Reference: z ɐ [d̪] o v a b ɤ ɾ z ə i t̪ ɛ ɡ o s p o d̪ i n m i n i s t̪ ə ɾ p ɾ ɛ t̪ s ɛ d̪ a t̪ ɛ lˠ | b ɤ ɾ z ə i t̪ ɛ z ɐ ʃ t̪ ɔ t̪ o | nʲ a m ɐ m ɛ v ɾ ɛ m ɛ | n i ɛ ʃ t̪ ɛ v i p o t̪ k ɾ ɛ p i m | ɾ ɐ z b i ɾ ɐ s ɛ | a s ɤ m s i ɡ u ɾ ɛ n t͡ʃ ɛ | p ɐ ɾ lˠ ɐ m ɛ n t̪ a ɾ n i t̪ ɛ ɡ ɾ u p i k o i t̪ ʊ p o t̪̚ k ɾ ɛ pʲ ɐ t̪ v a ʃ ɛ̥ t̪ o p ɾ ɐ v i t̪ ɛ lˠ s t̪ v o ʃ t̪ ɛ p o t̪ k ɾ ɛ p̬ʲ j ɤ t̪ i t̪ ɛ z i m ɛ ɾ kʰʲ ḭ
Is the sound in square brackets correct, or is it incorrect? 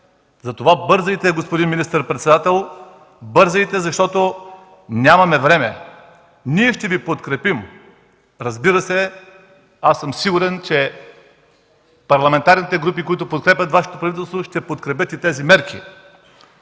incorrect